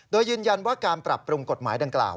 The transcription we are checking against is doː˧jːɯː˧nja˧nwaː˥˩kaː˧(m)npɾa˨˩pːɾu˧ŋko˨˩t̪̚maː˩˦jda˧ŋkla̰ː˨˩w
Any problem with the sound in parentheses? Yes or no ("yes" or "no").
yes